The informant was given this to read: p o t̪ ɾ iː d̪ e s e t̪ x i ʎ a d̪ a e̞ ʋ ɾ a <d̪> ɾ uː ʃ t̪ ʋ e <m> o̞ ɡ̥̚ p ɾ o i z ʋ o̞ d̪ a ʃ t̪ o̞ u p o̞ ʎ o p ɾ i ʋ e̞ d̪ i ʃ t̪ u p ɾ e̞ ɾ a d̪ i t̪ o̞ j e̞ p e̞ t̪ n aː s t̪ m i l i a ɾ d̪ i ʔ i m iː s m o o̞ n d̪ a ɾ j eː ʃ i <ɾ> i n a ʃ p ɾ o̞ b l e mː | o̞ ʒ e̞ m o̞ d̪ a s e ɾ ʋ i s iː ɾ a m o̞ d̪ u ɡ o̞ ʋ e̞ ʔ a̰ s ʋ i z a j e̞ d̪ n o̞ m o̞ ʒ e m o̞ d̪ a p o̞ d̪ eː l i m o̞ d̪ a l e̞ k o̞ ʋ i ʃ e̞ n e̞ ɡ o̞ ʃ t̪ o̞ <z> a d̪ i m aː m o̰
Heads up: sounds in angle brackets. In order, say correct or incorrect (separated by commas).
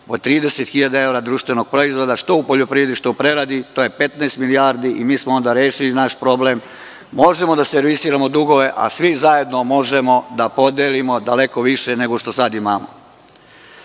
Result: correct, incorrect, incorrect, incorrect